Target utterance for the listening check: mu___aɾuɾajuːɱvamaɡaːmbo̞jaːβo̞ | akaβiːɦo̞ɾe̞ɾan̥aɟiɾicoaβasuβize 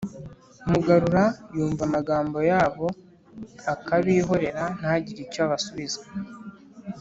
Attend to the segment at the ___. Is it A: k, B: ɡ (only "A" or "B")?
B